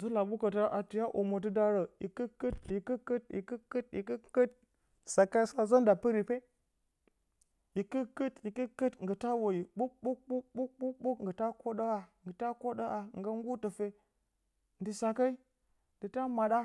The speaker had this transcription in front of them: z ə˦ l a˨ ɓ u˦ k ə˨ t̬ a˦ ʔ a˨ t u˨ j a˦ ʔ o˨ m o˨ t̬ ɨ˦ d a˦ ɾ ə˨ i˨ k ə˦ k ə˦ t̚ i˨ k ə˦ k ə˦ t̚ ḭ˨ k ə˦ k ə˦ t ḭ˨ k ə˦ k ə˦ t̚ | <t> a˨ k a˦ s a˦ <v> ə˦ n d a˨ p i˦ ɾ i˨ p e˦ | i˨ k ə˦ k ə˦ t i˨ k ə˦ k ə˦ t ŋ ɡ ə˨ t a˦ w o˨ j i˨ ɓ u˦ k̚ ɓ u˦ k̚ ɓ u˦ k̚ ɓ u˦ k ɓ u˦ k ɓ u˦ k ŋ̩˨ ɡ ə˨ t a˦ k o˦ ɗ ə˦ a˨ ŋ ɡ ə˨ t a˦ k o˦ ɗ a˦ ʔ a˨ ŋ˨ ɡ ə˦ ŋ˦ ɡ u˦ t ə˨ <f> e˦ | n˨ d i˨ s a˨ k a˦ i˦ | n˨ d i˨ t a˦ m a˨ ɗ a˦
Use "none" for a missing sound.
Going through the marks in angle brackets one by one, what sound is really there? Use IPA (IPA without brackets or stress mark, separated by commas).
s, z, f